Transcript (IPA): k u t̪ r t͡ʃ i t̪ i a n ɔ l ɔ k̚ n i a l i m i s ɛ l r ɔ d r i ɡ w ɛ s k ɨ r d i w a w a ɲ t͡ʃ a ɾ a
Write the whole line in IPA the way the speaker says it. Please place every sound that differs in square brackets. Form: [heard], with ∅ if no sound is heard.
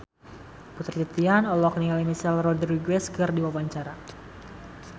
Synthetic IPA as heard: [p] u t̪ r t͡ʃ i t̪ i a n ɔ l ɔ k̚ n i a l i m i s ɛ l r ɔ d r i ɡ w ɛ s k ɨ r d i w a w a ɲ t͡ʃ a ɾ a

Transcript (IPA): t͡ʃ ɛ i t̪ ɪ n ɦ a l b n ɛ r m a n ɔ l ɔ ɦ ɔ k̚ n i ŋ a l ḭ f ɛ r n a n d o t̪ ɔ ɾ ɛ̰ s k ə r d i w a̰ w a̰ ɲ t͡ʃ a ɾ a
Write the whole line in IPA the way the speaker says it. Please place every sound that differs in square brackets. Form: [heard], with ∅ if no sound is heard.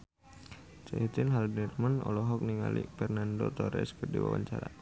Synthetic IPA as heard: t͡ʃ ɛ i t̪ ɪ n ɦ a l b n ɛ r m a n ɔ l ɔ ɦ ɔ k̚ n i ŋ a l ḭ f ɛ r n a n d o t̪ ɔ ɾ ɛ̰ s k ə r d i w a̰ w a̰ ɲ t͡ʃ a ɾ a

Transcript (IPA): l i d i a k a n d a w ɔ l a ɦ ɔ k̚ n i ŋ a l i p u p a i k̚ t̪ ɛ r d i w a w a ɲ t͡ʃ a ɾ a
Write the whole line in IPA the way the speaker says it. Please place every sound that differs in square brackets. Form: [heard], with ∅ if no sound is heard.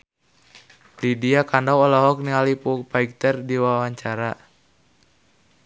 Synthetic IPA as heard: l i d i a k a n d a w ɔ l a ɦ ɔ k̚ n i ŋ a l i p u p a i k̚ t̪ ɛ r d i w a w a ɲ t͡ʃ a ɾ a

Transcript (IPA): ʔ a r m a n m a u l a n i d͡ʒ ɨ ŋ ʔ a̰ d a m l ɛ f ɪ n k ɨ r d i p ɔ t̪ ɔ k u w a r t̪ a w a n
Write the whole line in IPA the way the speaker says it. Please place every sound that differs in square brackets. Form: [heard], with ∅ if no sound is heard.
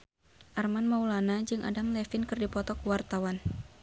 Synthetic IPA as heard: ʔ a r m a n m a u l a n [a] d͡ʒ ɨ ŋ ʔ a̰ d a m l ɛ f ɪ n k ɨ r d i p ɔ t̪ ɔ k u w a r t̪ a w a n

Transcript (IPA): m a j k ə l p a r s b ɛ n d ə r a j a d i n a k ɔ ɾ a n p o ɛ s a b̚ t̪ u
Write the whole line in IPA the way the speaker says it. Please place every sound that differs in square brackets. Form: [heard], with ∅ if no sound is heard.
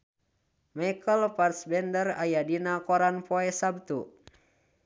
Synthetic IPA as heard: m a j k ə l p a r s b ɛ n d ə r a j a d i n a k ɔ ɾ a n p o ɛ s a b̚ t̪ u

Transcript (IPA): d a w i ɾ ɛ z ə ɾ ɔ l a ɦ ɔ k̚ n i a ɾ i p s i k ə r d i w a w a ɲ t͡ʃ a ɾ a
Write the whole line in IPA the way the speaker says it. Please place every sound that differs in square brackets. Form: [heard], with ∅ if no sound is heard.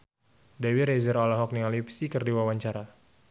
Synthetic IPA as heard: d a w i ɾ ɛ z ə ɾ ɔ l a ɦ ɔ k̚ n i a [l] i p s i k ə r d i w a w a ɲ t͡ʃ a ɾ a

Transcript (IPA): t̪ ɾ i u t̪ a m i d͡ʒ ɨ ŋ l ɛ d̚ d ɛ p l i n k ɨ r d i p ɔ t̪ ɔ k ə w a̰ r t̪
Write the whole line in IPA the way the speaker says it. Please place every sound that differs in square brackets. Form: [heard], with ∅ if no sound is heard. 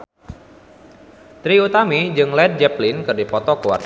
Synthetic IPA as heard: t̪ ɾ i u t̪ a m i d͡ʒ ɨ ŋ l ɛ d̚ [d͡ʒ] ɛ p l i n k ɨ r d i p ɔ t̪ ɔ k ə w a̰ r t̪

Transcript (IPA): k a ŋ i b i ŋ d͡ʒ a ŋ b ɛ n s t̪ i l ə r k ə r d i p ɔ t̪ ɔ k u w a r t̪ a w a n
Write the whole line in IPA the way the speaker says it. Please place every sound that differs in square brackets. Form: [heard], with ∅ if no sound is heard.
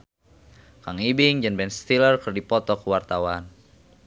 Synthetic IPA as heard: k a ŋ i b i ŋ d͡ʒ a [n] b ɛ n s t̪ i l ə r k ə r d i p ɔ t̪ ɔ k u w a r t̪ a w a n

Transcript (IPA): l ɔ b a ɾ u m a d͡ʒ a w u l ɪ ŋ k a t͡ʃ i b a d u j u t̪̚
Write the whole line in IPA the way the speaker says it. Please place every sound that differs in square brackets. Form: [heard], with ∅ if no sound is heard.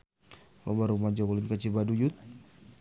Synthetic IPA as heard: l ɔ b a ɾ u m a d͡ʒ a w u l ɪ [n] k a t͡ʃ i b a d u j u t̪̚

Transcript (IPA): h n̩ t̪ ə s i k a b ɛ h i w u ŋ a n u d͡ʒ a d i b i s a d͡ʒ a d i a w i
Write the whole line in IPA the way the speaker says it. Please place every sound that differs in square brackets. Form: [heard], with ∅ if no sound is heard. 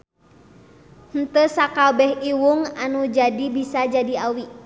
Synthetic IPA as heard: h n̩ t̪ ə s [a] k a b ɛ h i w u ŋ a n u d͡ʒ a d i b i s a d͡ʒ a d i a w i

